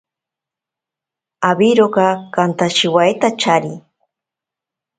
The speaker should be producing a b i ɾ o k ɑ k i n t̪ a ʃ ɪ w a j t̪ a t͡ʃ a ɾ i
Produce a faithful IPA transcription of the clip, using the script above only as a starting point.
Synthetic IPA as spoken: a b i ɾ o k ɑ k a n t̪ a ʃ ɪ w a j t̪ a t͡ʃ a ɾ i